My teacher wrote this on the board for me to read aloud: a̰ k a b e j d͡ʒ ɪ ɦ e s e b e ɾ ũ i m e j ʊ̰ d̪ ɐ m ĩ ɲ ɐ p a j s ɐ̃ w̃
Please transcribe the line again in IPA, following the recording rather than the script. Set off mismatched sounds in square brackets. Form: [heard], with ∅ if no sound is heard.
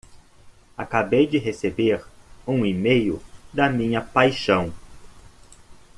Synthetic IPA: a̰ k a b e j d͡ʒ ɪ ɦ e s e b e ɾ ũ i m e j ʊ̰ d̪ ɐ m ĩ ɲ ɐ p a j [ʃ] ɐ̃ w̃

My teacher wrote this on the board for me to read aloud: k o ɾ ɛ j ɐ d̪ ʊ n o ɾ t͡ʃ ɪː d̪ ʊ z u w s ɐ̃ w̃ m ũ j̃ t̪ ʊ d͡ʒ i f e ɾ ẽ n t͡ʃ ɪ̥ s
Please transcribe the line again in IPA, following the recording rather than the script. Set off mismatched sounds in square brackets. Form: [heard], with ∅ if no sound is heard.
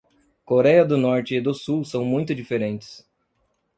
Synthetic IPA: k o ɾ ɛ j ɐ d̪ ʊ n [ɔ] ɾ t͡ʃ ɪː d̪ ʊ [s] u w s ɐ̃ w̃ m ũ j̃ t̪ ʊ d͡ʒ i f e ɾ ẽ n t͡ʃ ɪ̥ s

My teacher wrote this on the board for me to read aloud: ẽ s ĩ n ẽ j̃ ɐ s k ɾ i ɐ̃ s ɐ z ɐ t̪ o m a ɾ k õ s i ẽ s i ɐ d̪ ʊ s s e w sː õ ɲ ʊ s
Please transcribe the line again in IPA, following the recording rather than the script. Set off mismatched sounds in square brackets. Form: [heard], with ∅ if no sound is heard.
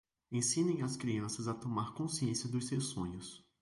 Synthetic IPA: ẽ s ĩ n ẽ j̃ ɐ s k ɾ i ɐ̃ s ɐ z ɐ t̪ o m a ɾ k õ s i ẽ s i ɐ d̪ ʊ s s e w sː õ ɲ ʊ s

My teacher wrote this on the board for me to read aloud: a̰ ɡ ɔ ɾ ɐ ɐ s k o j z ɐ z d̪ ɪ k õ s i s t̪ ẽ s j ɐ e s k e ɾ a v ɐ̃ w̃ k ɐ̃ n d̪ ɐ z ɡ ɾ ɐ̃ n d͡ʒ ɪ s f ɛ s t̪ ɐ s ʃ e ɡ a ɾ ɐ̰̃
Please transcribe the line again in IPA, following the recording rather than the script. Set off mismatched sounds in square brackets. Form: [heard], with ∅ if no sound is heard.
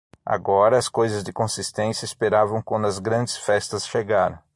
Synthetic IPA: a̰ ɡ ɔ ɾ ɐ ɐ s k o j z ɐ z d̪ ɪ k õ s i s t̪ ẽ s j ɐ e s [p] e ɾ a v ɐ̃ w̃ k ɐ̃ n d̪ ɐ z ɡ ɾ ɐ̃ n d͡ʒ ɪ s f ɛ s t̪ ɐ s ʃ e ɡ a ɾ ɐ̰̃

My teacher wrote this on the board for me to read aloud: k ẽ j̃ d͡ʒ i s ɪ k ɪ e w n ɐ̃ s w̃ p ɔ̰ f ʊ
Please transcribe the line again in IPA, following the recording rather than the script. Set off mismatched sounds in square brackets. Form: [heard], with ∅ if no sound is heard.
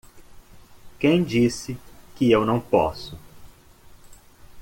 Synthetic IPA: k ẽ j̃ d͡ʒ i s ɪ k ɪ e w n ɐ̃ [∅] w̃ p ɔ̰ [s] ʊ

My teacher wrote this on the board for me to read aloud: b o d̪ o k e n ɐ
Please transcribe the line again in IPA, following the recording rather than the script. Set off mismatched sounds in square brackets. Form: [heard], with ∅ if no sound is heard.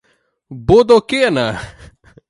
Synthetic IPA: b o d̪ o k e n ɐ

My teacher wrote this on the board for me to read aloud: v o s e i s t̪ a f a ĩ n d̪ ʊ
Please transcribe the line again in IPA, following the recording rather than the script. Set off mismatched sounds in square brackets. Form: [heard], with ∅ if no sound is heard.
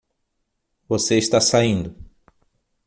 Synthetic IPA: v o s e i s t̪ a [s] a ĩ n d̪ ʊ

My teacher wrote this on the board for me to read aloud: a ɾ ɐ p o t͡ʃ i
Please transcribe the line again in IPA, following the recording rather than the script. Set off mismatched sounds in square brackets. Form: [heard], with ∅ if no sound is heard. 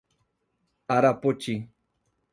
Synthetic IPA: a ɾ [a] p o t͡ʃ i

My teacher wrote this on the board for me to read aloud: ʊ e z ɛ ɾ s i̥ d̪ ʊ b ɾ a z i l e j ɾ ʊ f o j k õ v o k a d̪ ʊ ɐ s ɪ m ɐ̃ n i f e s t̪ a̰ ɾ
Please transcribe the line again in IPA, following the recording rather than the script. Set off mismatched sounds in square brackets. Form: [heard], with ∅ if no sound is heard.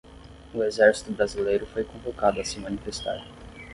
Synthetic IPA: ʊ e z ɛ ɾ s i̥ [t̪] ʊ b ɾ a z i l e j ɾ ʊ f o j k õ v o k a d̪ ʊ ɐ s ɪ m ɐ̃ n i f e s t̪ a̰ ɾ

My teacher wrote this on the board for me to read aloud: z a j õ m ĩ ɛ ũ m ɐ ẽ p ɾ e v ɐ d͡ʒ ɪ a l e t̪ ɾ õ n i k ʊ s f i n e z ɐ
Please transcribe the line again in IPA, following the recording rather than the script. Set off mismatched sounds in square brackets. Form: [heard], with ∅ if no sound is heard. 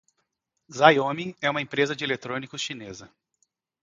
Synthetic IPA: z a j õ m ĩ ɛ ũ m ɐ ẽ p ɾ e [z] ɐ d͡ʒ ɪ [e] l e t̪ ɾ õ n i k ʊ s [ʃ] i n e z ɐ

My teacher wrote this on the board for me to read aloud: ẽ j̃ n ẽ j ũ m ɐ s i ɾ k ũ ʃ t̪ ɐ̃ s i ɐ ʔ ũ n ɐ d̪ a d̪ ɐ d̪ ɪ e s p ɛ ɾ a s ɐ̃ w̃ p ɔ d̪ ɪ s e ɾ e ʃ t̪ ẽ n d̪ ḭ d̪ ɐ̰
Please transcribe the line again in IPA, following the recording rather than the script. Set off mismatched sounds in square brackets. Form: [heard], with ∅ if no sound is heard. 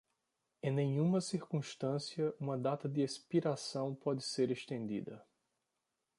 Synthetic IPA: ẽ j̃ n ẽ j ũ m ɐ s i ɾ k ũ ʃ t̪ ɐ̃ s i ɐ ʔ ũ [m] ɐ d̪ a [t̪] ɐ d̪ ɪ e s p [i] ɾ a s ɐ̃ w̃ p ɔ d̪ ɪ s e ɾ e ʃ t̪ ẽ n d̪ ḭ d̪ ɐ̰

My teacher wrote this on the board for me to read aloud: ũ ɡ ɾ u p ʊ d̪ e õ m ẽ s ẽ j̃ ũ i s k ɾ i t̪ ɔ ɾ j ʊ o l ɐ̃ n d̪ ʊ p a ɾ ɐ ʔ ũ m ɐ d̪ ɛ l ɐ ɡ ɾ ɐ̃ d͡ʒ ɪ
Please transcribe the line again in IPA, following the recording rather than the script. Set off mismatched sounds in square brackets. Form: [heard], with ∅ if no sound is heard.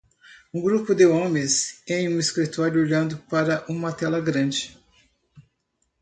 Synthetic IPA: ũ ɡ ɾ u p ʊ d̪ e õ m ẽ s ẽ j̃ ũ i s k ɾ i t̪ ɔ ɾ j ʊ o [ʎ] ɐ̃ n d̪ ʊ p a ɾ ɐ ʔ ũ m ɐ [t̪] ɛ l ɐ ɡ ɾ ɐ̃ d͡ʒ ɪ

